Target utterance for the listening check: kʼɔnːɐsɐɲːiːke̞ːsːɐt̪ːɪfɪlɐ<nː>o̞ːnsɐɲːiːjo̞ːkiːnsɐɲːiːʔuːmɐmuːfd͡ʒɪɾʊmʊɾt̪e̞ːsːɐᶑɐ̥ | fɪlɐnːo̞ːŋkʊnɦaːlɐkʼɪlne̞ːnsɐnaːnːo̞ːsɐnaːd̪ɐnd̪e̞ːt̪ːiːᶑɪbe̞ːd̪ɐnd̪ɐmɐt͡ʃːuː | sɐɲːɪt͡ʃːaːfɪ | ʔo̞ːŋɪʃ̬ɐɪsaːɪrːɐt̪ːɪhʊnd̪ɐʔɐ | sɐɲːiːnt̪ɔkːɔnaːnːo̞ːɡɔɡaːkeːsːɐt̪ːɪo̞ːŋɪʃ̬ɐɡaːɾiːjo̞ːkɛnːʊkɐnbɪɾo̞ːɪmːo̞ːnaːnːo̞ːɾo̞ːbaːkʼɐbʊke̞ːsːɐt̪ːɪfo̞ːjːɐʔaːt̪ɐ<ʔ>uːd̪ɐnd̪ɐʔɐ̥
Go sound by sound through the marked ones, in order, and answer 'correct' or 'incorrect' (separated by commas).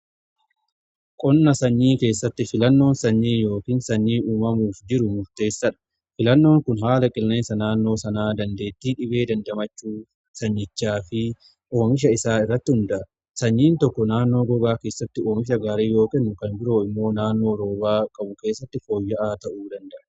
correct, correct